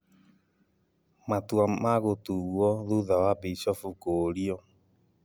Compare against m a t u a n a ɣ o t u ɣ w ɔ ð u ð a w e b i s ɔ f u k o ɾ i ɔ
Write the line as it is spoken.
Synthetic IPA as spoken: m a t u a m a ɣ o t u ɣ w ɔ ð u ð a w a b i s ɔ f u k o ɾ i ɔ